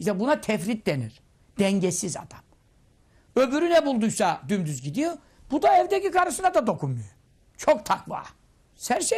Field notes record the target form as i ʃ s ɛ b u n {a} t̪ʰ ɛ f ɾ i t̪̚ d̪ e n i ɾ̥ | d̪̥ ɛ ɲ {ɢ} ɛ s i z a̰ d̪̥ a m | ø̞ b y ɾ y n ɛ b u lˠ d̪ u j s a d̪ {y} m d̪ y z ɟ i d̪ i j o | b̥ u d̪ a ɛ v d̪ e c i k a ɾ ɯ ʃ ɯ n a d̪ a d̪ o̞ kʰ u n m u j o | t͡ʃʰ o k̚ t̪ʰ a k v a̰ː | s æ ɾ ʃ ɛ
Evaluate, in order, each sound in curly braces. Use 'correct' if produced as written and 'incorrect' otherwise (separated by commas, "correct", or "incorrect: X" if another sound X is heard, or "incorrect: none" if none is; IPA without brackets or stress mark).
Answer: correct, incorrect: ɟ, correct